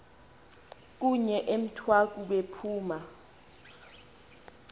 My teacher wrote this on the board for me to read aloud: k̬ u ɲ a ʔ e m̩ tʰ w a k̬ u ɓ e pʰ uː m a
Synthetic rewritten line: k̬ u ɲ ɛ ʔ e m̩ tʰ w a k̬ u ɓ e pʰ uː m a